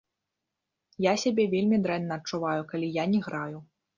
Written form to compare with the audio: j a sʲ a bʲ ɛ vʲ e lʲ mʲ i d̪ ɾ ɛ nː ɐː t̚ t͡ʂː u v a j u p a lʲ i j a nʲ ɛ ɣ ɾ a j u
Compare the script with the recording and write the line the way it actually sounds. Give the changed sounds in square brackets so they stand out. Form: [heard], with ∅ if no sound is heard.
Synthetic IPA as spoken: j a sʲ a bʲ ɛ vʲ e lʲ mʲ i d̪ ɾ ɛ nː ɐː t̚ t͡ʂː u v a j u [k] a lʲ i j a nʲ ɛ ɣ ɾ a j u